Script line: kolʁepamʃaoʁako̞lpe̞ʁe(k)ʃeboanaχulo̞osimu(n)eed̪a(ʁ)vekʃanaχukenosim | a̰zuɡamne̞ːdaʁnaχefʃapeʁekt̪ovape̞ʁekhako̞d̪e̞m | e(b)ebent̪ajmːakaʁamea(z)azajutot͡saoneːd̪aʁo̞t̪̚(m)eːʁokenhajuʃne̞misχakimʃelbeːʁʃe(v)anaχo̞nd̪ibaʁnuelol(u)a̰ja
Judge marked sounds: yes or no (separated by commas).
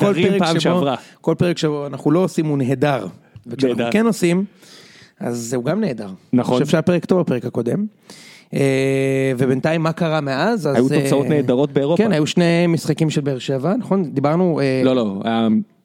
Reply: yes, yes, yes, no, yes, no, yes, no